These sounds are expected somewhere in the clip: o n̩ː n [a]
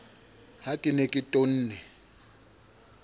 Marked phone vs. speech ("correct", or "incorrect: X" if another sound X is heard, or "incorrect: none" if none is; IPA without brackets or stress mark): incorrect: ɛ